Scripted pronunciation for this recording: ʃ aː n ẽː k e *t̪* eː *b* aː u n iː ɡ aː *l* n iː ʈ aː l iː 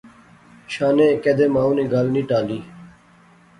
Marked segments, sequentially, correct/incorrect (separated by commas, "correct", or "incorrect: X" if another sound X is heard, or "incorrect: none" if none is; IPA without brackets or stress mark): incorrect: d̪, incorrect: m, correct